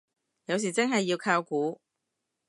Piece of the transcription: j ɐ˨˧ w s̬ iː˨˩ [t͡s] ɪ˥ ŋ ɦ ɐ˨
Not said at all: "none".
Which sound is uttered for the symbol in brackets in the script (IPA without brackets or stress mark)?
t͡s